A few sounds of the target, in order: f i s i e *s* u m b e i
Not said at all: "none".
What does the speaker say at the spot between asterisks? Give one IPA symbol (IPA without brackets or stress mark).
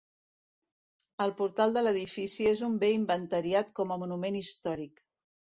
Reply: z